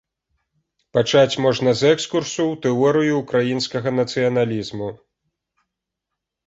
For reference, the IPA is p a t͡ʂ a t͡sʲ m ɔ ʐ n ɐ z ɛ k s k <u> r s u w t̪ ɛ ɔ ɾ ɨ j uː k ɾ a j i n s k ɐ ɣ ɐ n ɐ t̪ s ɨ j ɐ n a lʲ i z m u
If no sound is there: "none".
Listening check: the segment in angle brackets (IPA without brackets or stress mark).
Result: u